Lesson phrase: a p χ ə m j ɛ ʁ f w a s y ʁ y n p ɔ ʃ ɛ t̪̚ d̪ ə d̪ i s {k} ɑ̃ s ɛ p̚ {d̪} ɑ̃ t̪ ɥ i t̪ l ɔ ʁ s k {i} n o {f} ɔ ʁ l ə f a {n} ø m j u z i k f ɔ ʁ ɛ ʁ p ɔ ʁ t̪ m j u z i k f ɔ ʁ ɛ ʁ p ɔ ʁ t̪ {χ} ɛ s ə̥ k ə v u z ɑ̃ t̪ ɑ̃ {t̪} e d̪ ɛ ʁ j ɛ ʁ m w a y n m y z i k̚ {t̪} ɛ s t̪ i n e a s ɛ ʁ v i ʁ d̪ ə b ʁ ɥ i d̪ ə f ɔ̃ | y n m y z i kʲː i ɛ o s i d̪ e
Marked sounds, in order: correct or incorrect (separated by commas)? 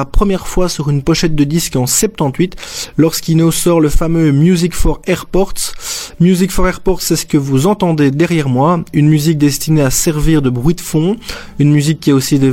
correct, incorrect, correct, incorrect, incorrect, incorrect, incorrect, incorrect